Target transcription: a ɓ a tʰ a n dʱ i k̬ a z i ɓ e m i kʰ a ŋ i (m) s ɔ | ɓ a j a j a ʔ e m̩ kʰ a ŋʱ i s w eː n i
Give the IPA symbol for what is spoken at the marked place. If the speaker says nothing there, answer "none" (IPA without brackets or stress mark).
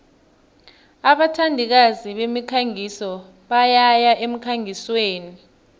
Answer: none